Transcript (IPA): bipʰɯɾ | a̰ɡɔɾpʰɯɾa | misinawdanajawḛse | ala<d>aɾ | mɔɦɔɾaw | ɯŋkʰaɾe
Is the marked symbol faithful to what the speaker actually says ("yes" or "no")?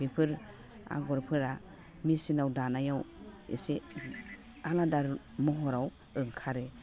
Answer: yes